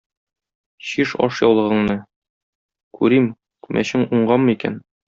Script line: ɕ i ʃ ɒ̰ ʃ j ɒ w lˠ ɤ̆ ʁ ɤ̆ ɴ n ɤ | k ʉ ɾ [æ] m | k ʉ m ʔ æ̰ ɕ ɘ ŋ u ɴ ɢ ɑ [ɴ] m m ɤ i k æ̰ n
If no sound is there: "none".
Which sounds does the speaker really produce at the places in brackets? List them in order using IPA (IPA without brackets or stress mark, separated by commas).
i, none